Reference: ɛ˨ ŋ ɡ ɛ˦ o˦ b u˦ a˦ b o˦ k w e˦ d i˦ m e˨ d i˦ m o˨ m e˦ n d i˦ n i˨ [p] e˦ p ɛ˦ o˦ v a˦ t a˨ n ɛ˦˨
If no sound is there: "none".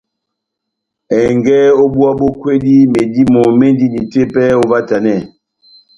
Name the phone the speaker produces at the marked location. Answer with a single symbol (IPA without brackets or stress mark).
t